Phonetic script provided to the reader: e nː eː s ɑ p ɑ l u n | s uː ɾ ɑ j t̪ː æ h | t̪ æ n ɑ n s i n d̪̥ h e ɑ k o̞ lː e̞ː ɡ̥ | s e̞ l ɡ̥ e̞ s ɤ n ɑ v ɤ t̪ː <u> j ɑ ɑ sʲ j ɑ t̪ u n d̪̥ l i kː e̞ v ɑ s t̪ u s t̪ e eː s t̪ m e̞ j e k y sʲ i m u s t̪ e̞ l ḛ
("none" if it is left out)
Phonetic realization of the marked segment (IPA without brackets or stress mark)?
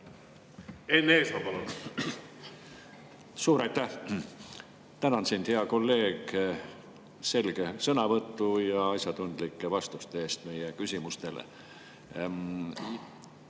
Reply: u